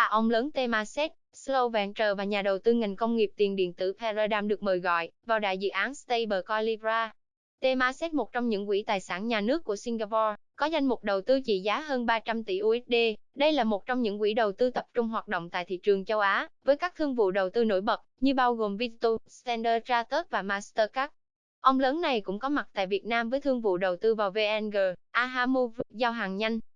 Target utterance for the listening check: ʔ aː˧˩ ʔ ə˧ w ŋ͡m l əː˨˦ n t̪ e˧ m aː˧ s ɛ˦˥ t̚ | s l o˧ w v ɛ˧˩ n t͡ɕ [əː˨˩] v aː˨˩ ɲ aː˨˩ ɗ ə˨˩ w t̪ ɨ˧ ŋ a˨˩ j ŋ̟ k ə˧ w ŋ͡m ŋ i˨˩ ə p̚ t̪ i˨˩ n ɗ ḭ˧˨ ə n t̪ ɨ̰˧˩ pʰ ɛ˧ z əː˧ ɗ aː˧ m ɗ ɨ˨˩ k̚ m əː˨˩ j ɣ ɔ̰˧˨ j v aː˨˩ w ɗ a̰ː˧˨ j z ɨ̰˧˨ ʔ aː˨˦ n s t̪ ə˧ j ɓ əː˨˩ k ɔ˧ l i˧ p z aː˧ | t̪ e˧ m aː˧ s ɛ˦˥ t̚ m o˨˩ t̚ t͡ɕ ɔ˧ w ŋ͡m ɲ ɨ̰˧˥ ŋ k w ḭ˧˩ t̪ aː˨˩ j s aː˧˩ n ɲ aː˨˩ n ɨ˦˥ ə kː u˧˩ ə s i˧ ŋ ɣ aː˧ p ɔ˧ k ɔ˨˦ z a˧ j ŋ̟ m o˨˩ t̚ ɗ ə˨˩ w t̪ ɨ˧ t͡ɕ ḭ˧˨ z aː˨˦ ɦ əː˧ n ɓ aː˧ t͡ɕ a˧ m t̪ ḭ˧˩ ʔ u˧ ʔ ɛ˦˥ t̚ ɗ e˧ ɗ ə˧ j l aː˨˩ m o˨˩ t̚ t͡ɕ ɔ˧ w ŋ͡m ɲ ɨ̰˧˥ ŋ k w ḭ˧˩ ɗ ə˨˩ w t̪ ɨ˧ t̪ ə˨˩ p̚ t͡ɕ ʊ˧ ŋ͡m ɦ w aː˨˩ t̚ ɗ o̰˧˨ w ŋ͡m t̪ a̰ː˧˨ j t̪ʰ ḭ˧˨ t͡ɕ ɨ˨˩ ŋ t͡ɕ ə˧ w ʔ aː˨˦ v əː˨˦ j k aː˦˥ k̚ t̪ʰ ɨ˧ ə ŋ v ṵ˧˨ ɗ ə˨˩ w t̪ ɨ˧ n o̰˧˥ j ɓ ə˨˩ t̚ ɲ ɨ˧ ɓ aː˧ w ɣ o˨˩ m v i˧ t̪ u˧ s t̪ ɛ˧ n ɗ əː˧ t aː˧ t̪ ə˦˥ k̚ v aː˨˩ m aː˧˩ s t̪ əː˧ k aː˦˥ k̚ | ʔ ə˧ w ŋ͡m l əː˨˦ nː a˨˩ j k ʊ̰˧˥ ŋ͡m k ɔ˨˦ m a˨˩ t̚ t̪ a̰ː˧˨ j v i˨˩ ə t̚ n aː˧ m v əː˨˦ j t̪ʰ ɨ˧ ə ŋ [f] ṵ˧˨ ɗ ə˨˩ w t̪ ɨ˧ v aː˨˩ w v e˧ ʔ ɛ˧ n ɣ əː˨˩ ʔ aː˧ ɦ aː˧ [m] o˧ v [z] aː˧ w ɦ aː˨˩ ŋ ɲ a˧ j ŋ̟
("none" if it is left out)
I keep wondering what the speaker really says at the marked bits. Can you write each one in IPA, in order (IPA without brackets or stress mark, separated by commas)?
əː˨˩, v, m, z